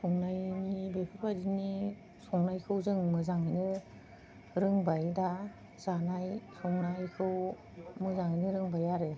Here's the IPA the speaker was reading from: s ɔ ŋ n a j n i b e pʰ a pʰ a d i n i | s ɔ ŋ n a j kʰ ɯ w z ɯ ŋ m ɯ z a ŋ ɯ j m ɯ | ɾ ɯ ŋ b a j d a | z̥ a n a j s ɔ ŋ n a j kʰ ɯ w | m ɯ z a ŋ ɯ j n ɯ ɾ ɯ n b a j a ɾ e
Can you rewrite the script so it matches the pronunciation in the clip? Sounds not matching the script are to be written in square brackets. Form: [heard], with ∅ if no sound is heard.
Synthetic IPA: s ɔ ŋ n a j n i b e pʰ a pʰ a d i n i | s ɔ ŋ n a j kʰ ɯ w z ɯ ŋ m ɯ z a ŋ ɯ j [n] ɯ | ɾ ɯ ŋ b a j d a | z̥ a n a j s ɔ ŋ n a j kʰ ɯ w | m ɯ z a ŋ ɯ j n ɯ ɾ ɯ [ŋ] b a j a ɾ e

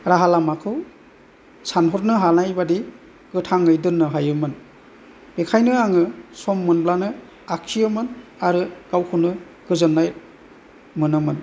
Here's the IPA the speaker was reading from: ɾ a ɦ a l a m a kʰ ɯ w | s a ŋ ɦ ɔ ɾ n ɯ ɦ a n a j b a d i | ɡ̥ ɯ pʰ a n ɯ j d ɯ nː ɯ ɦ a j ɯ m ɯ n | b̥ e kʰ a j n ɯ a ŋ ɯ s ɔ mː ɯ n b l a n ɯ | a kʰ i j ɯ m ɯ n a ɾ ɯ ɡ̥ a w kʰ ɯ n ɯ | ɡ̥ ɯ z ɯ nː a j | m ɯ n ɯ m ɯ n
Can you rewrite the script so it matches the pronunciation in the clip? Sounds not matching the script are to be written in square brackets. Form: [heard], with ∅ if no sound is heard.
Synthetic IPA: ɾ a ɦ a l a m a kʰ ɯ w | s a [n] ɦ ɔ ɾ n ɯ ɦ a n a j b a d i | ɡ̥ ɯ [tʰ] a [ŋ] ɯ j d ɯ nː ɯ ɦ a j ɯ m ɯ n | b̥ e kʰ a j n ɯ a ŋ ɯ s ɔ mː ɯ n b l a n ɯ | a kʰ i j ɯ m ɯ n a ɾ ɯ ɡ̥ a w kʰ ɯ n ɯ | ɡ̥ ɯ z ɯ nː a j | m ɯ n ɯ m ɯ n

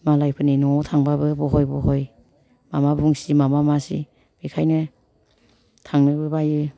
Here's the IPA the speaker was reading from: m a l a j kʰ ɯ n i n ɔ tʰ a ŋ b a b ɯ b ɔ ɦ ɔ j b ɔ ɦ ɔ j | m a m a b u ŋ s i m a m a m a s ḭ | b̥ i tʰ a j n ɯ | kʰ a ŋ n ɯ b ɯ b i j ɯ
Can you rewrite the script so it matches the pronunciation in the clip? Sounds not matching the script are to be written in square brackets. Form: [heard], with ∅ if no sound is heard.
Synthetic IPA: m a l a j [pʰ] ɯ n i n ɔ tʰ a ŋ b a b ɯ b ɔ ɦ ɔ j b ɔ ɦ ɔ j | m a m a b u ŋ s i m a m a m a s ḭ | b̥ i [kʰ] a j n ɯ | [tʰ] a ŋ n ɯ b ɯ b [a] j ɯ

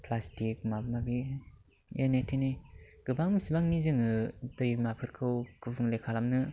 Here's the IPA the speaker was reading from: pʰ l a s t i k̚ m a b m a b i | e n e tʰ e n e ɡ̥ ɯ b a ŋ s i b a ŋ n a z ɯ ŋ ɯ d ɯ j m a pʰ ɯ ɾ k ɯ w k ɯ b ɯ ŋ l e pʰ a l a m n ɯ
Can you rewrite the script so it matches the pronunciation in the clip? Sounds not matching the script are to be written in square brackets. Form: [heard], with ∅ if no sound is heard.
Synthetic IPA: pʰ l a s t i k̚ m a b m a b i | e n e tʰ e n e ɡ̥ ɯ b a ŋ s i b a ŋ n [i] z ɯ ŋ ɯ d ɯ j m a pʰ ɯ ɾ [kʰ] ɯ w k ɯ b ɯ ŋ l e [kʰ] a l a m n ɯ

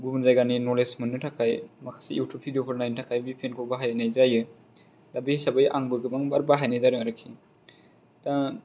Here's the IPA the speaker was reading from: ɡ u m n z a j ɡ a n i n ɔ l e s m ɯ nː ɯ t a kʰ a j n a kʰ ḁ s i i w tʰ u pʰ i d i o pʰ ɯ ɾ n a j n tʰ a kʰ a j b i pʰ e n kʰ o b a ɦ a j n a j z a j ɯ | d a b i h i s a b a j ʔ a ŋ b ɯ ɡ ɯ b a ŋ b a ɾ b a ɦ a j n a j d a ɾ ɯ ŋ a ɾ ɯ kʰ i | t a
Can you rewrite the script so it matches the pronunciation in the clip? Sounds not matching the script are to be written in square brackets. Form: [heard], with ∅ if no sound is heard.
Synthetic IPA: ɡ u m n z a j ɡ a n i n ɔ l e s m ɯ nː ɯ [tʰ] a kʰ a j [m] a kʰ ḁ s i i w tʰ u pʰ i d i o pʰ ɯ ɾ n a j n tʰ a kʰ a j b i pʰ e n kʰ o b a ɦ a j n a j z a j ɯ | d a b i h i s a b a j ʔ a ŋ b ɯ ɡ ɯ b a ŋ b a ɾ b a ɦ a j n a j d a ɾ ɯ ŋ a ɾ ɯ kʰ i | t a

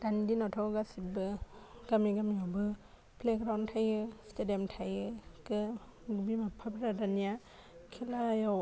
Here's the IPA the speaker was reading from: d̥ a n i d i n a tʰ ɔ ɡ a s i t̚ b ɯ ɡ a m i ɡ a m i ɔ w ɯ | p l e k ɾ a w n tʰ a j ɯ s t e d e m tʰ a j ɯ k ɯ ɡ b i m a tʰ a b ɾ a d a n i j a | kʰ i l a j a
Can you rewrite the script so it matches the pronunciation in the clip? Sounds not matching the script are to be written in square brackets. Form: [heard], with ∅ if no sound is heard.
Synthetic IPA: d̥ a n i d i n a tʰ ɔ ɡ a s i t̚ b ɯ ɡ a m i ɡ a m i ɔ [b] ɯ | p l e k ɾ a w n tʰ a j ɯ s t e d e m tʰ a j ɯ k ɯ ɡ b i m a [pʰ] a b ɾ a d a n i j a | kʰ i l a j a

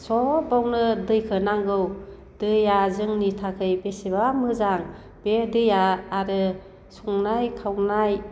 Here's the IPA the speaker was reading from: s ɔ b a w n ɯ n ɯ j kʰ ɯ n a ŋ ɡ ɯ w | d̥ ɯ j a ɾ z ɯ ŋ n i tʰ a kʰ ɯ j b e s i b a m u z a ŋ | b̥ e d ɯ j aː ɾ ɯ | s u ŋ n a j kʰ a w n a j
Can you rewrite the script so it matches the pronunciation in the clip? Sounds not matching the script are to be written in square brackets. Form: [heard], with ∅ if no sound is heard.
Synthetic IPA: s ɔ b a w n ɯ [d] ɯ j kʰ ɯ n a ŋ ɡ ɯ w | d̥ ɯ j a [∅] z ɯ ŋ n i tʰ a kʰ ɯ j b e s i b a m [ɯ] z a ŋ | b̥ e d ɯ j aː ɾ ɯ | s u ŋ n a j kʰ a w n a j

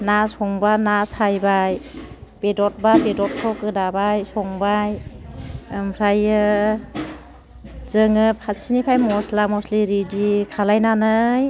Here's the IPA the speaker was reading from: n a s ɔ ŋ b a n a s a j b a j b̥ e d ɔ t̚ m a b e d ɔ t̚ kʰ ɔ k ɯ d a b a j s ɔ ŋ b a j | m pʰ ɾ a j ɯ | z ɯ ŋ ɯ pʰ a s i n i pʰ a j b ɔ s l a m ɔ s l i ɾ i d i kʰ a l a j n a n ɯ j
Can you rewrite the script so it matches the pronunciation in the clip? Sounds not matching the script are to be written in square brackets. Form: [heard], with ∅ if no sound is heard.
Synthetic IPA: n a s ɔ ŋ b a n a s a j b a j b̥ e d ɔ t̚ [b] a b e d ɔ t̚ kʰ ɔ k ɯ d a b a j s ɔ ŋ b a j | m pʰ ɾ a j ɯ | z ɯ ŋ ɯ pʰ a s i n i pʰ a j [m] ɔ s l a m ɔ s l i ɾ i d i kʰ a l a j n a n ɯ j

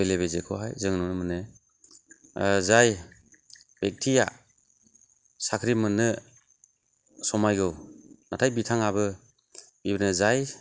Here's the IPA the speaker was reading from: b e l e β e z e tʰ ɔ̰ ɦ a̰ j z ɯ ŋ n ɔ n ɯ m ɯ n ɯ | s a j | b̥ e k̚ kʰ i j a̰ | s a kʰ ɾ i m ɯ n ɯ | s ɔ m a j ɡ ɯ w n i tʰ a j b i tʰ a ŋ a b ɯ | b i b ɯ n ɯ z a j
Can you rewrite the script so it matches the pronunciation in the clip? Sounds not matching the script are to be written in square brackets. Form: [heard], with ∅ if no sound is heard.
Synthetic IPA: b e l e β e z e [kʰ] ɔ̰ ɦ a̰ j z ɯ ŋ n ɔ n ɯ m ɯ n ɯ | [z] a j | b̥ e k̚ [tʰ] i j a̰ | s a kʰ ɾ i m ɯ n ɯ | s ɔ m a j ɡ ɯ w n [a] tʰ a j b i tʰ a ŋ a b ɯ | b i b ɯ n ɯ z a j

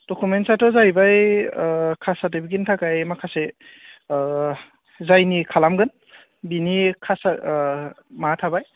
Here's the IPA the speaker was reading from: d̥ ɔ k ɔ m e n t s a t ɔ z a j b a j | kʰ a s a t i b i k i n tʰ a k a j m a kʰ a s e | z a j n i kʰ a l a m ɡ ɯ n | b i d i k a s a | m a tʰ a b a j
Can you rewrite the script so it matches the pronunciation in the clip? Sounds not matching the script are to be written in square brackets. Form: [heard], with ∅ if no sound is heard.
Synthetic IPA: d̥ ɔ k [u] m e n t s a t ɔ z a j b a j | kʰ a s a t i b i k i n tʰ a k a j m a kʰ a s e | z a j n i kʰ a l a m ɡ ɯ n | b i [n] i [kʰ] a s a | m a tʰ a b a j

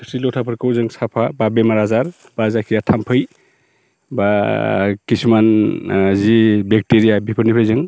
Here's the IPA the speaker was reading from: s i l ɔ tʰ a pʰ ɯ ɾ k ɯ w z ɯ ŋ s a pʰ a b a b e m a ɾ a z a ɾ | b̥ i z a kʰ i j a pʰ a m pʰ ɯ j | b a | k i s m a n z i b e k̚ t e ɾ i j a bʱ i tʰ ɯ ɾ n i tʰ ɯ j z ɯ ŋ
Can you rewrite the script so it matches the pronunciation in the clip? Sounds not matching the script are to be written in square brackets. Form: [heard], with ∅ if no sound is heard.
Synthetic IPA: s i l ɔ tʰ a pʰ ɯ ɾ k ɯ w z ɯ ŋ s a pʰ a b a b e m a ɾ a z a ɾ | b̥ [a] z a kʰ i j a [tʰ] a m pʰ ɯ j | b a | k i s m a n z i b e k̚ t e ɾ i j a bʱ i [pʰ] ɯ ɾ n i [pʰ] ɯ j z ɯ ŋ

